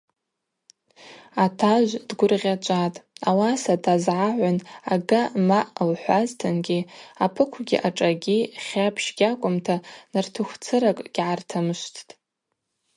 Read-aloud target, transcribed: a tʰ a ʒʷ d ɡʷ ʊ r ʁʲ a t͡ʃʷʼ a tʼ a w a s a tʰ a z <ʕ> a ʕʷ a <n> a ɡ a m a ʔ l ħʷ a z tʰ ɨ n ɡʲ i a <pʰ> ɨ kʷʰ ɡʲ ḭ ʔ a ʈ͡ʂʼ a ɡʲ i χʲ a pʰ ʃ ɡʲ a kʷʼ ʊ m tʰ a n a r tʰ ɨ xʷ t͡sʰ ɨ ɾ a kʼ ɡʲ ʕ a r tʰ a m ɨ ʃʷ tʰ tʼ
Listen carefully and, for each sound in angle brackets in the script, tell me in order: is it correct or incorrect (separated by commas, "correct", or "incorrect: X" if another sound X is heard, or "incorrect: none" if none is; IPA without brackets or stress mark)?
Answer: correct, correct, correct